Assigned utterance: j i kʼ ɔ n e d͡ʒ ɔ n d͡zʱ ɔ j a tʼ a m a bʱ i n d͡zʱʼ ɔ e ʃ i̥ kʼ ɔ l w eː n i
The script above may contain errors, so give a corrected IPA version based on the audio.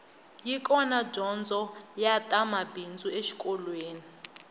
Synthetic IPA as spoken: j i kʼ ɔ n a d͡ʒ ɔ n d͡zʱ ɔ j a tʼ a m a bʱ i n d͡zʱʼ u e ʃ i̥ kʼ ɔ l w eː n i

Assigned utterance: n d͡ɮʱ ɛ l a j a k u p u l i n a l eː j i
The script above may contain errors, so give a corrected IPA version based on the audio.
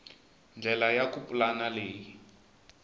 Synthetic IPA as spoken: n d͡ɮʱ ɛ l a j a k u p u l a n a l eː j i

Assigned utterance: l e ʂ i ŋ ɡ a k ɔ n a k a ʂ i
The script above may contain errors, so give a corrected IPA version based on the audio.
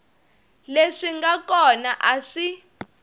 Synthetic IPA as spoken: l e ʂ i ŋ ɡ a k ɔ n a ʔ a ʂ i

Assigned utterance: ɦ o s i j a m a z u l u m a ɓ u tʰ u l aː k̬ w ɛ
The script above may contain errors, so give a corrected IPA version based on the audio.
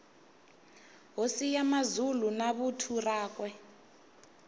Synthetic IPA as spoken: ɦ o s i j a m a z u l u n a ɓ u tʰ u r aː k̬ w ɛ

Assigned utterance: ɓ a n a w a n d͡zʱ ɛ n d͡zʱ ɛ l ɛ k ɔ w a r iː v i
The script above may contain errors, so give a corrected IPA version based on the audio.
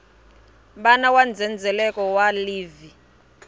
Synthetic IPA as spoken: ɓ a n a w a n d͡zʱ ɛ n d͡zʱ ɛ l ɛ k ɔ w a l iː v i

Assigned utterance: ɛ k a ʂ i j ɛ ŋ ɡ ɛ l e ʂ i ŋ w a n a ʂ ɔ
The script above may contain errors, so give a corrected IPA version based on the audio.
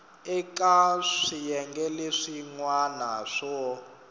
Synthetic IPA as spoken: ɛ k a ʂ i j ɛ ŋ ɡ ɛ l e ʂ i ŋ w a n a ʂ ɔ

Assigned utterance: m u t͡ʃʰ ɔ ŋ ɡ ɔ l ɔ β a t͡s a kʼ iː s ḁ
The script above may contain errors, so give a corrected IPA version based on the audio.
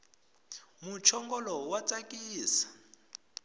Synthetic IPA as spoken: m u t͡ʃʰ ɔ ŋ ɡ ɔ l ɔ w a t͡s a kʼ iː s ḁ

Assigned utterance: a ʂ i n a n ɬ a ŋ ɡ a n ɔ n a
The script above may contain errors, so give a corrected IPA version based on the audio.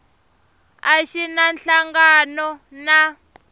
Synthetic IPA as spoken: a ʃ i n a n ɬ a ŋ ɡ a n ɔ n a

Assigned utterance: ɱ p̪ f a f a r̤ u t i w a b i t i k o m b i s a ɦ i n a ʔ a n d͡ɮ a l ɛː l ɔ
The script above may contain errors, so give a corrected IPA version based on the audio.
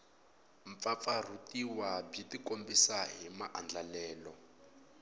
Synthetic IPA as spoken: ɱ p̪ f a f a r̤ u t i w a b i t i k o m b i s a ɦ i m a ʔ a n d͡ɮ a l ɛː l ɔ

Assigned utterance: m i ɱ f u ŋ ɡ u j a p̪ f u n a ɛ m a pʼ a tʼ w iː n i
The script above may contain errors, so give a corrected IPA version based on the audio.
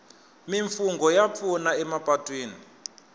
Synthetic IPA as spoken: m i ɱ f u ŋ ɡ ɔ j a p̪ f u n a ɛ m a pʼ a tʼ w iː n i

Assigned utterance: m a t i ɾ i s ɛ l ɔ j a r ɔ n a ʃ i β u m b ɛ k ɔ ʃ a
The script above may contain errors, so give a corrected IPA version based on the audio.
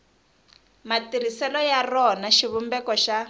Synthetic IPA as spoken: m a t i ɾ i s ɛ l ɔ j a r ɔ n a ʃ i β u m b ɛ k ɔ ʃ a

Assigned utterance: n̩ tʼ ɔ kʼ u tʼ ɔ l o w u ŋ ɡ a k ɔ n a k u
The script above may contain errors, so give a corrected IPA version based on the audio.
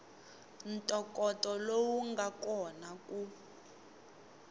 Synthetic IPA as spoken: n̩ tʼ ɔ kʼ ɔ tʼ ɔ l o w u ŋ ɡ a k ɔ n a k u

